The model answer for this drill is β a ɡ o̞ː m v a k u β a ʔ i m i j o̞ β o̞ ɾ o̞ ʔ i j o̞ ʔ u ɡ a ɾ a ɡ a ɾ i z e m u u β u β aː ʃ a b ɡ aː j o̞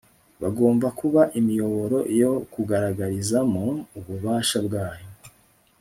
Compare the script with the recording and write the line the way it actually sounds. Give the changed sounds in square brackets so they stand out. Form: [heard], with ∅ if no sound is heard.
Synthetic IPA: β a ɡ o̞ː m v a k u β a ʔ i m i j o̞ β o̞ ɾ o̞ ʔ i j o̞ [k] u ɡ a ɾ a ɡ a ɾ i z [a] m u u β u β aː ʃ a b ɡ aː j o̞

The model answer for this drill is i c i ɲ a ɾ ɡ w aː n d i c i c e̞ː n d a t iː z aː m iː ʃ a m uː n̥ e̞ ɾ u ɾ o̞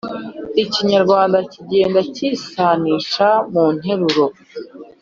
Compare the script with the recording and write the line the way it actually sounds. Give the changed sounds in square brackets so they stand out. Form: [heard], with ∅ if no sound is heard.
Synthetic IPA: i c i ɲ a ɾ ɡ w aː n d [a] c i [ɟ] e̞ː n d a [c] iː [s] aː [n] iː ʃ a m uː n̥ e̞ ɾ u ɾ o̞

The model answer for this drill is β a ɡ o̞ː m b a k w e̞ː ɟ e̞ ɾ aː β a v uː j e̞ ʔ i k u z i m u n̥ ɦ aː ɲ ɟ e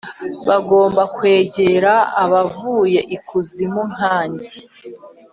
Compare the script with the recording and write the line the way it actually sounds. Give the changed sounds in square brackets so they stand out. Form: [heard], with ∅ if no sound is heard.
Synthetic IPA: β a ɡ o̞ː m b a k w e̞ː ɟ e̞ ɾ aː β a v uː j e̞ ʔ i k u z i m u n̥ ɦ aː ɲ ɟ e

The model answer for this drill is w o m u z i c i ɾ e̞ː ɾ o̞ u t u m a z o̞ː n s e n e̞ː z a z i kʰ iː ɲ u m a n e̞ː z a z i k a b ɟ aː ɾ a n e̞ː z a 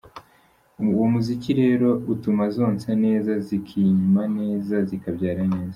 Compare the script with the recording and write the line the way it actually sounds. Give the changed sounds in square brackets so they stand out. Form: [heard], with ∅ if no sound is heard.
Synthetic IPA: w o m u z i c i ɾ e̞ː ɾ o̞ u t u m a z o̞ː n s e n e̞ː z a z i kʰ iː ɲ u m a n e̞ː z a z i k a b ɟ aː ɾ a n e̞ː z a

